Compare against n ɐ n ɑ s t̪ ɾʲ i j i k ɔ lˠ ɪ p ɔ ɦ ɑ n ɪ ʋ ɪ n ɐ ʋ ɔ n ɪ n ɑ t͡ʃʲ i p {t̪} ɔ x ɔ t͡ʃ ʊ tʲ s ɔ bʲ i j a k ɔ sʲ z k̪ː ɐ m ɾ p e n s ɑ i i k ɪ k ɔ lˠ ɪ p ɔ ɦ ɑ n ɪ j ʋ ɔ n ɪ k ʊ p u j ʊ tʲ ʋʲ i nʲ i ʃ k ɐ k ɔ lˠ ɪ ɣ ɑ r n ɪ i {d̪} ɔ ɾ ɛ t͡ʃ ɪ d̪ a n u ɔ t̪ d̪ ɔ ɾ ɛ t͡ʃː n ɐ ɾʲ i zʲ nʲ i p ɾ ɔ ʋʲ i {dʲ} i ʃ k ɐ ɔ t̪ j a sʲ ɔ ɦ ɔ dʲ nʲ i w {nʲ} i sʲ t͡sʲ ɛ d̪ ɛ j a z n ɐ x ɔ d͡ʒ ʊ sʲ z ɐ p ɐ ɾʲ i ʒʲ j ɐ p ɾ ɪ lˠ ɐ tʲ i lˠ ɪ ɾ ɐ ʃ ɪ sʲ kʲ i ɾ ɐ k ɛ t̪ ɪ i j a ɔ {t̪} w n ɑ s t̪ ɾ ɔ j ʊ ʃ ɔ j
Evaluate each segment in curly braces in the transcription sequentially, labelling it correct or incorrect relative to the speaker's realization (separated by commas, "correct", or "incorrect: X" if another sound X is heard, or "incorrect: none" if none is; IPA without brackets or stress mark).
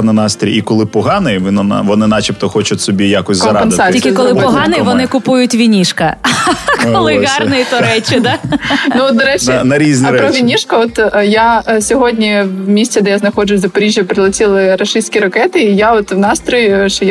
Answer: correct, incorrect: t̪, incorrect: nʲ, incorrect: mʲ, correct